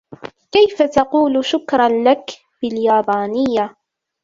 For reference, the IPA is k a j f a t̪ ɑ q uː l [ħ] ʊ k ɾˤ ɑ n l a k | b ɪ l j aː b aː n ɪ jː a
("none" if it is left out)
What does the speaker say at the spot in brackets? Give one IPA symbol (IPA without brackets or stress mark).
ʃ